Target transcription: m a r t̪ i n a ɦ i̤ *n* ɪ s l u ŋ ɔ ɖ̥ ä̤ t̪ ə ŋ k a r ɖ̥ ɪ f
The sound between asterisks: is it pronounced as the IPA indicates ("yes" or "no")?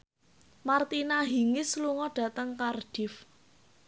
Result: no